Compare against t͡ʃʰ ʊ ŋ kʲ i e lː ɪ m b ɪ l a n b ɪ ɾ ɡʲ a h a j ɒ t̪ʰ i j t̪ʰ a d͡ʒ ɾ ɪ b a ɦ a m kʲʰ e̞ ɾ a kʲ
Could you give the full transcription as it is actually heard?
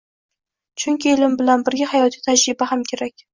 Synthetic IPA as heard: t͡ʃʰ ʊ ŋ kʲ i e l ɪ m b ɪ l a n b ɪ ɾ ɡʲ a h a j ɒ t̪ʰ i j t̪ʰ a d͡ʒ ɾ ɪ b a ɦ a m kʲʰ e̞ ɾ a kʲ